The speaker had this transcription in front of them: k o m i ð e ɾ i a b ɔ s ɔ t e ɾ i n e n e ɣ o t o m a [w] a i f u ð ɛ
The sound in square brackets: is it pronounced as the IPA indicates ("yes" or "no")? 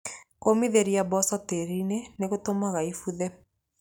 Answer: no